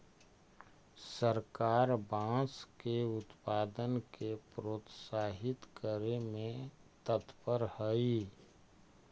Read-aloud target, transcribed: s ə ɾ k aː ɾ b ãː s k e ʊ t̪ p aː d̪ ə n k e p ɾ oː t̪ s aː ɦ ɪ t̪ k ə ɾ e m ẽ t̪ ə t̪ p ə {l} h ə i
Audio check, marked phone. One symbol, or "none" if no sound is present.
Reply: ɾ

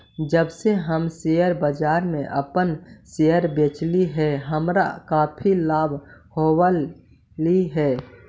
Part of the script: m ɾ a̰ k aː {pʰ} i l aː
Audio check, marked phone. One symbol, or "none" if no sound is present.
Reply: pʰ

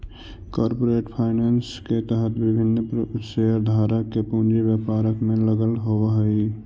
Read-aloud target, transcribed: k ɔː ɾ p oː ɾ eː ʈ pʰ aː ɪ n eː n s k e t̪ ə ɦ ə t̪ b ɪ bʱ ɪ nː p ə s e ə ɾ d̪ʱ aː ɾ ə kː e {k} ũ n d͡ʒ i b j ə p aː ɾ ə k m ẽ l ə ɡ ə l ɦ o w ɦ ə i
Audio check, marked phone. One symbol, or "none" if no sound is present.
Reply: p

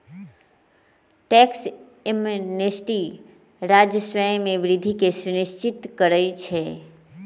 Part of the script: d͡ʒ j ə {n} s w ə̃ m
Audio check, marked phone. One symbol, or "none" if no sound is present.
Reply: none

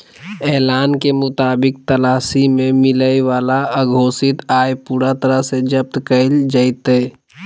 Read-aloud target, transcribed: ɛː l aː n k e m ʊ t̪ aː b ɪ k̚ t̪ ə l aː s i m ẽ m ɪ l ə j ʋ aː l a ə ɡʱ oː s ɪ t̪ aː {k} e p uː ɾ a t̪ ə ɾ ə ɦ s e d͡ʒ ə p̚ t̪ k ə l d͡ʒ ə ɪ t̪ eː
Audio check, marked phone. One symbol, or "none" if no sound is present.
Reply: none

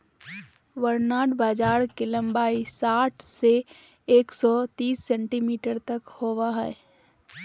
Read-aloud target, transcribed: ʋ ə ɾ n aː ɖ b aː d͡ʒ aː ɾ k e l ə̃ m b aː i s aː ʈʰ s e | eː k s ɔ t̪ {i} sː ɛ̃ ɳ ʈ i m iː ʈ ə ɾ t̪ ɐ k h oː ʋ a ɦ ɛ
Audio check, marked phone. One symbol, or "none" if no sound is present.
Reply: iː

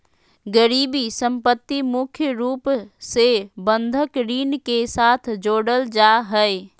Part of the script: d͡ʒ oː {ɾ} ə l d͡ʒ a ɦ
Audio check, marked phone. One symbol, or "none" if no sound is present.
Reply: ɽ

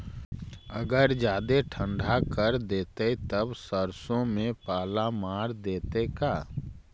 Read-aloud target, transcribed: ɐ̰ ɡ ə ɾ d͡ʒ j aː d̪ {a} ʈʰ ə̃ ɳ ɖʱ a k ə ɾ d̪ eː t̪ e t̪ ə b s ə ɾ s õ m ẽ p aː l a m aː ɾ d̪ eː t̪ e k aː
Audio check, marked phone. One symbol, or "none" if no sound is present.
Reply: e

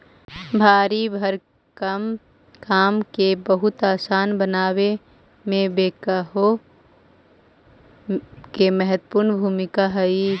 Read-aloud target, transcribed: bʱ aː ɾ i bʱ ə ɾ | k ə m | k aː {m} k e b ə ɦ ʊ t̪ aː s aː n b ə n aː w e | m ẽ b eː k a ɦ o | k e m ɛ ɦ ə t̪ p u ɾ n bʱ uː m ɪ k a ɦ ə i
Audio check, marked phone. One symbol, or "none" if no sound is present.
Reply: m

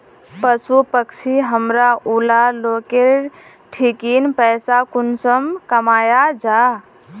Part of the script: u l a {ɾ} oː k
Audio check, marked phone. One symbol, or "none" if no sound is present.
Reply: l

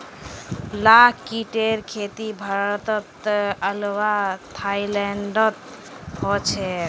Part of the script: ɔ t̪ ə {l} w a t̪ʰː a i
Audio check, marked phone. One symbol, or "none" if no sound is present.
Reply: l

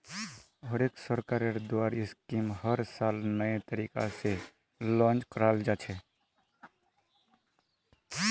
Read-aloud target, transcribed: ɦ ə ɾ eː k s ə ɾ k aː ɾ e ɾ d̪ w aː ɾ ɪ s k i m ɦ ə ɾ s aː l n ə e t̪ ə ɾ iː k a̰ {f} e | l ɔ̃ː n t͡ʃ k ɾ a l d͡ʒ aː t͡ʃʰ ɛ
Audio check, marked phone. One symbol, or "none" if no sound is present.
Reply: s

